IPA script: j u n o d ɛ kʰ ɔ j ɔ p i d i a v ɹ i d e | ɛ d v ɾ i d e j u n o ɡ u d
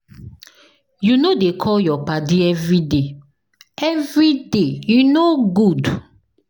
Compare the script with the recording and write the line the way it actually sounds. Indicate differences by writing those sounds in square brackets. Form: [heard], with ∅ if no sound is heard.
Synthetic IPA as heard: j u n o d [e] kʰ ɔ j ɔ p [a] d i [ɛ] v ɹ i d e | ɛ [∅] v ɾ i d e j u n o ɡ u d